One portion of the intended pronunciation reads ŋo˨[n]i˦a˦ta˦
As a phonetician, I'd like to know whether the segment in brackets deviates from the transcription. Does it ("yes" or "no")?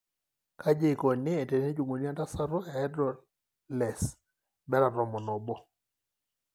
no